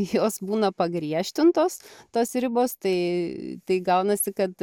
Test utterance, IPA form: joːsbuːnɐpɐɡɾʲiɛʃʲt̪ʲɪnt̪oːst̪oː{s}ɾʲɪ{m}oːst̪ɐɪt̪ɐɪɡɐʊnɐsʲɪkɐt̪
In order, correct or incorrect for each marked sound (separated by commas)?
correct, incorrect